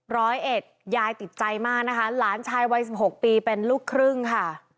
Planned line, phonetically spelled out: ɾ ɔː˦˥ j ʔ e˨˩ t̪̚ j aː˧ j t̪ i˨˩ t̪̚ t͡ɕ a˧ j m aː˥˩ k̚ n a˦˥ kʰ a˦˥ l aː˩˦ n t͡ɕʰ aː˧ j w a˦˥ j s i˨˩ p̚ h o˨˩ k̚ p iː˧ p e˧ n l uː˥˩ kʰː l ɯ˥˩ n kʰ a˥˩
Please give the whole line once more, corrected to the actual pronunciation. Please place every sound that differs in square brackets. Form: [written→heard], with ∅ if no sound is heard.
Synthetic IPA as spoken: ɾ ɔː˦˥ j ʔ e˨˩ t̪̚ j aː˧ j t̪ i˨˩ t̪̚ t͡ɕ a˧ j m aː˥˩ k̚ n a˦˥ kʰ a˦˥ l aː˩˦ n t͡ɕʰ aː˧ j w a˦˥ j s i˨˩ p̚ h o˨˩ k̚ p iː˧ p e˧ n l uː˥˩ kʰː [l→ɾ] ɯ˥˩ [n→ŋ] kʰ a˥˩